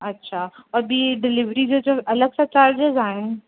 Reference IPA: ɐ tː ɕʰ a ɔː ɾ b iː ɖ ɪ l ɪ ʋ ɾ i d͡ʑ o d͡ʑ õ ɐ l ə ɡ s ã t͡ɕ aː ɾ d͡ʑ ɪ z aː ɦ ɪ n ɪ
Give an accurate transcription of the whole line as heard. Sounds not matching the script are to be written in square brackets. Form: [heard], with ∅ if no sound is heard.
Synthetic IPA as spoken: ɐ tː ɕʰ a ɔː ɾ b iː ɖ ɪ l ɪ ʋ ɾ i d͡ʑ o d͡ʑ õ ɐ l ə ɡ s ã t͡ɕ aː ɾ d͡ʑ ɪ z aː ɦ ɪ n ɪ